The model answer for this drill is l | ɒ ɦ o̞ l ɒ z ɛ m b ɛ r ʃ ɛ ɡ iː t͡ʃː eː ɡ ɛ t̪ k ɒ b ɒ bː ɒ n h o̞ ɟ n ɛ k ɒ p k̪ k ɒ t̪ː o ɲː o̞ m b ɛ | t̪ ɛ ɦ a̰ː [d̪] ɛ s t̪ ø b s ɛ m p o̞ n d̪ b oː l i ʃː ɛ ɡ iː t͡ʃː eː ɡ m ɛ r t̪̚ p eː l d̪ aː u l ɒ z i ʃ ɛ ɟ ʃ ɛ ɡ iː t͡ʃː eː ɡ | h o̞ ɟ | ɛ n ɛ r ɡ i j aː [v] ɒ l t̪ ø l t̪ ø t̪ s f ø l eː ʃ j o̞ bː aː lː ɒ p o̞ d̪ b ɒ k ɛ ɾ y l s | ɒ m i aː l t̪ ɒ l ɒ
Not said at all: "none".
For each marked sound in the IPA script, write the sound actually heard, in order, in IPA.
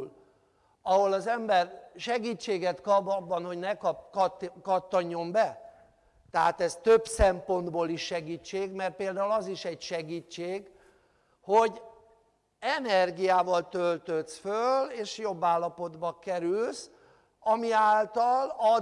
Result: t̪, v

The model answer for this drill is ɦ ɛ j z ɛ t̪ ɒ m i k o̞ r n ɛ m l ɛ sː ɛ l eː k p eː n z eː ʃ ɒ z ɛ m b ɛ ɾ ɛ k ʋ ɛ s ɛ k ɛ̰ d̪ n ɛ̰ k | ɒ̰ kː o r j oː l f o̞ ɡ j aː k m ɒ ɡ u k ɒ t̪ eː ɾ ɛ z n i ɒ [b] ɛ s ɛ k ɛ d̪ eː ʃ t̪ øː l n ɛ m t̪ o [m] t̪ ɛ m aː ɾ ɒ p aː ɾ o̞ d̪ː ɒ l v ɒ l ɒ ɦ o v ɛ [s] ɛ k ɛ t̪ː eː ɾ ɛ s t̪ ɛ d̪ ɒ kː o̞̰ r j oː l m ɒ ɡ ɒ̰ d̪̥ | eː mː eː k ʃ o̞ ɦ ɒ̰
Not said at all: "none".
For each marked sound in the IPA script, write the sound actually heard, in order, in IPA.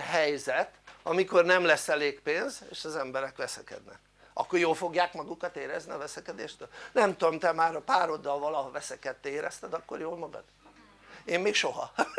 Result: v, m, s

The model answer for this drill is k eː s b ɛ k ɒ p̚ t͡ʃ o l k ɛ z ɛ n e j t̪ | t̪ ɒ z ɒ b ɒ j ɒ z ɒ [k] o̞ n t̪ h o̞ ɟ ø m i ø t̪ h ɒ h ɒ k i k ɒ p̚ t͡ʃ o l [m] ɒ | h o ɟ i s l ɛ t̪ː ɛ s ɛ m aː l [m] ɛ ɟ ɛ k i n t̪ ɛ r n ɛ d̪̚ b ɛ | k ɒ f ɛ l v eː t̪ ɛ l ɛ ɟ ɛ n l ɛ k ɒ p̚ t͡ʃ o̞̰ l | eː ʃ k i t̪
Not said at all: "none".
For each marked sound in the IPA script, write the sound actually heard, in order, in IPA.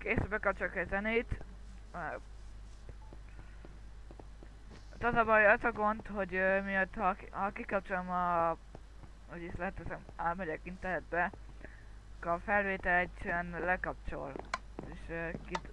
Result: ɡ, m, m

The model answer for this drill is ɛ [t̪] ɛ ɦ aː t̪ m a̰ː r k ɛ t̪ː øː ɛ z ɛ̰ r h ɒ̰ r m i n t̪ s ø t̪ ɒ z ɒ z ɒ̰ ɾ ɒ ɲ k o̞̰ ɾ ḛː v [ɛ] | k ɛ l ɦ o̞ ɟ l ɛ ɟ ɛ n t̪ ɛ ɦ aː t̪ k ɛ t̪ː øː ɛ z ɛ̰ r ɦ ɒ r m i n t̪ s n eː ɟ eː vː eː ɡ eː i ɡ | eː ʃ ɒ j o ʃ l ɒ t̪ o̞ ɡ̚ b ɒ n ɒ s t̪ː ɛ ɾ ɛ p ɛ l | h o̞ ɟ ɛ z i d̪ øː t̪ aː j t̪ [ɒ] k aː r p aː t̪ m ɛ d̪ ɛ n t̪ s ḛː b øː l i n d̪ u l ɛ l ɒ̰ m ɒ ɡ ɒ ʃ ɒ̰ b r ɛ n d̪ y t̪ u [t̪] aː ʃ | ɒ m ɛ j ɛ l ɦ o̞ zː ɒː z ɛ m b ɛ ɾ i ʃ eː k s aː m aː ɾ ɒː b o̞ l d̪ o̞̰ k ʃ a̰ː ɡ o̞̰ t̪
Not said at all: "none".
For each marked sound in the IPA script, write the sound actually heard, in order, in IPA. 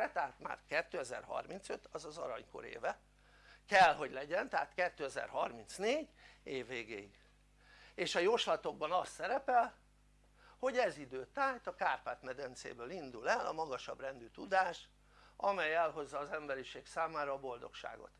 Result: t̪, ɛ, ɒ, d̪

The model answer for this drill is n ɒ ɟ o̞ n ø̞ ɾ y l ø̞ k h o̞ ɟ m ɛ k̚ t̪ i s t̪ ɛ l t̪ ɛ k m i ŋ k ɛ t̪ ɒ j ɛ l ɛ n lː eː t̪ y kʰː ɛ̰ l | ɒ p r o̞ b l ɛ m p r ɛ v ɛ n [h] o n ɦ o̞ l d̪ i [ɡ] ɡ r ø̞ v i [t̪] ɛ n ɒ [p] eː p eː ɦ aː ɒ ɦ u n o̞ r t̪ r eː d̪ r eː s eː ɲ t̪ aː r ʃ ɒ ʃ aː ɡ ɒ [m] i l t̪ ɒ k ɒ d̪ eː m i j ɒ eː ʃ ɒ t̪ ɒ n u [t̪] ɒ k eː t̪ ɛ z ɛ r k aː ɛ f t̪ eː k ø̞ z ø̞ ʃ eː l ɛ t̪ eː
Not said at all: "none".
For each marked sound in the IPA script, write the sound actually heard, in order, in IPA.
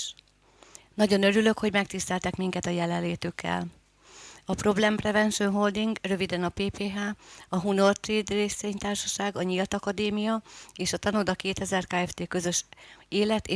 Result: ʃ, ŋ, d̪, p, ɲ, d̪

